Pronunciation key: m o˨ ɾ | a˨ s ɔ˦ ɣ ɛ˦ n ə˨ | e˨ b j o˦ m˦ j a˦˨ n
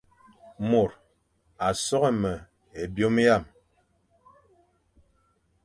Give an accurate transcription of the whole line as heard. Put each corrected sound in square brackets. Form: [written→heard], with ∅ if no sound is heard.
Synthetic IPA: m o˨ ɾ | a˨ s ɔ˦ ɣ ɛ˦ [n→m] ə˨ | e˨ b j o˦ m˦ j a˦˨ [n→m]